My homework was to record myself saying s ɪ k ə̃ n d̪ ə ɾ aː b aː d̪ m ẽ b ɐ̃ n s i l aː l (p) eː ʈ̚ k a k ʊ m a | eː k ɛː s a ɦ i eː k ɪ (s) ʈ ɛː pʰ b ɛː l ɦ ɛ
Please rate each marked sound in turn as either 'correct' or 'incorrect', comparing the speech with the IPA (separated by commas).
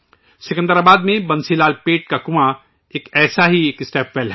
correct, correct